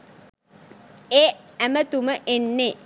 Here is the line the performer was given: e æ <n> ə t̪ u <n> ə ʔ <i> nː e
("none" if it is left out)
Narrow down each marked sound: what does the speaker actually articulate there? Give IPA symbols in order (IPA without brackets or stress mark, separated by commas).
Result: m, m, e